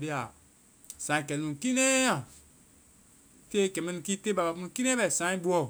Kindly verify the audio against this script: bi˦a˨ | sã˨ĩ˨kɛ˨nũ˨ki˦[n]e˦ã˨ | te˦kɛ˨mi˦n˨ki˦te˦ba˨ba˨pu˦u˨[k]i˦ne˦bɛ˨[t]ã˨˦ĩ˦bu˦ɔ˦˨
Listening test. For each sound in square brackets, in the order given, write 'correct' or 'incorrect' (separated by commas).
correct, correct, incorrect